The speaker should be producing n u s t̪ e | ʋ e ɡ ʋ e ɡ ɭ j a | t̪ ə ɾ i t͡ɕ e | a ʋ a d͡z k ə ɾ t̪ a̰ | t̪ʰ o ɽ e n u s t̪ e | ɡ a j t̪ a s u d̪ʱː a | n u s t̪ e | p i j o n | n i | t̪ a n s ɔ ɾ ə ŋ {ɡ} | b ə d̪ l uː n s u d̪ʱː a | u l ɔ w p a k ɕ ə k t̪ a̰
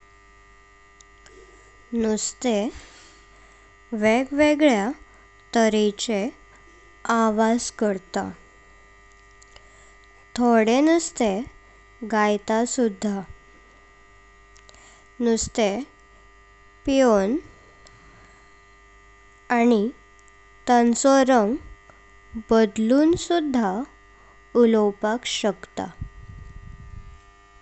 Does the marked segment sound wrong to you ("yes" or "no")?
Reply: no